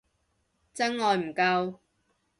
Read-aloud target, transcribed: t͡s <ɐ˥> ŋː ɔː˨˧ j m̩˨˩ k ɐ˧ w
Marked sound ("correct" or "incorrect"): correct